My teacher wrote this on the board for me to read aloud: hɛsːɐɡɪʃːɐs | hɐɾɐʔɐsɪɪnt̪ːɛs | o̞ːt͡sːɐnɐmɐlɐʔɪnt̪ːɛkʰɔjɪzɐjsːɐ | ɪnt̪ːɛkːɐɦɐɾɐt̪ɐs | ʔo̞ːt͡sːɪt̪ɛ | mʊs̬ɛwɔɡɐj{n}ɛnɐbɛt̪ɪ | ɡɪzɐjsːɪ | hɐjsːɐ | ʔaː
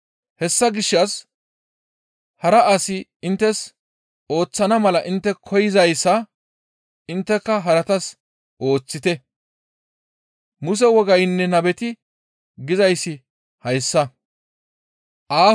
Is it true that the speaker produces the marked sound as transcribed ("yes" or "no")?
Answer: no